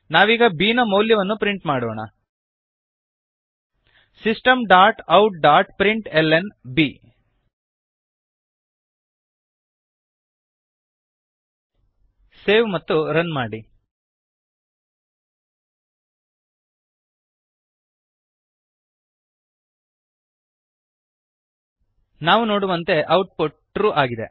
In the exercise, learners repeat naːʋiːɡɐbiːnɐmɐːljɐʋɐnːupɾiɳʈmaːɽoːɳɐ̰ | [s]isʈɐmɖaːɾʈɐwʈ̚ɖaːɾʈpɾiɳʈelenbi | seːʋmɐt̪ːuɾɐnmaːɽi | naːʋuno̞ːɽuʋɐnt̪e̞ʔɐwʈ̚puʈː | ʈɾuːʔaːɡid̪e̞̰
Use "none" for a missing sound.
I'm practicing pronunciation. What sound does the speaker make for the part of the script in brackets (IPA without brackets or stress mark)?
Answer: s